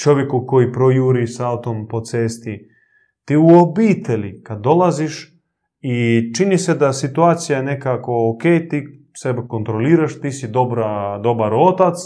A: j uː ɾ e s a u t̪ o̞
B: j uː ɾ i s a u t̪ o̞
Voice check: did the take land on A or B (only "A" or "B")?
B